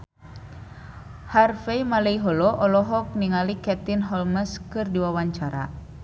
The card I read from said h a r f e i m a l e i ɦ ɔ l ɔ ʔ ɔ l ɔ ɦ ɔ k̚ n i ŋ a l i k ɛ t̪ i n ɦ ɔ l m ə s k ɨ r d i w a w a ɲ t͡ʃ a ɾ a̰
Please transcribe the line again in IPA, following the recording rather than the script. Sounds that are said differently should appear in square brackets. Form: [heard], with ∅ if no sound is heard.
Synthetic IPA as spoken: h a r f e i m a l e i ɦ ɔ l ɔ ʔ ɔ l ɔ ɦ ɔ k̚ n i ŋ a l i k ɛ t̪ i n ɦ ɔ l m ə s k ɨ r d i w a w a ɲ t͡ʃ a ɾ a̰